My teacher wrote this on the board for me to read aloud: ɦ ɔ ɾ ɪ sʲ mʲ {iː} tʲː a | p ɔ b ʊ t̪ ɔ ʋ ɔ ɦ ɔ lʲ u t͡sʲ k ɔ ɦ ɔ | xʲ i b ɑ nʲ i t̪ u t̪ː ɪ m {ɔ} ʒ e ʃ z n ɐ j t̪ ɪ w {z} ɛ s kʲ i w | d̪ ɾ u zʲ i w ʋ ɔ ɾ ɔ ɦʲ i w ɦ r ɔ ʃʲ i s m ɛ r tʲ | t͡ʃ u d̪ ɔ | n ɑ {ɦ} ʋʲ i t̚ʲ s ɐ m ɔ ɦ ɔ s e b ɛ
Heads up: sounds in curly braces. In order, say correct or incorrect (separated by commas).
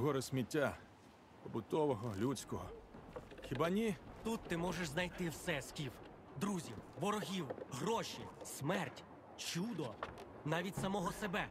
incorrect, correct, incorrect, incorrect